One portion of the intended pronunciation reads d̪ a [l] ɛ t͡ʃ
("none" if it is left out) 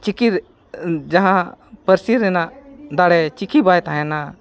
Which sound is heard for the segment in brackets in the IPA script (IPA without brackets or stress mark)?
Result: ɽ